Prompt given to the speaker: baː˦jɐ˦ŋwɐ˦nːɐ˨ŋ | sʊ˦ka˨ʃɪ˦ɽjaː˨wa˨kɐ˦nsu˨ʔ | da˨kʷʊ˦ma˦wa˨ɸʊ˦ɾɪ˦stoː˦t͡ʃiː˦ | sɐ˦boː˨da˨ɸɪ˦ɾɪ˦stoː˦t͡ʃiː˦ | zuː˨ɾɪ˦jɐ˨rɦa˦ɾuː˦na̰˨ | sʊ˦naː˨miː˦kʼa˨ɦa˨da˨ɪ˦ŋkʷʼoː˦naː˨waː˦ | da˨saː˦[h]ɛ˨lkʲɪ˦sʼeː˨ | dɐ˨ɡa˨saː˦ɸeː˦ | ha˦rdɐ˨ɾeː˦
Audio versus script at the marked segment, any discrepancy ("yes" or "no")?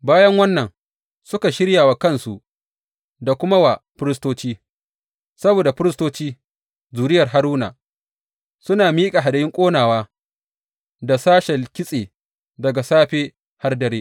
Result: yes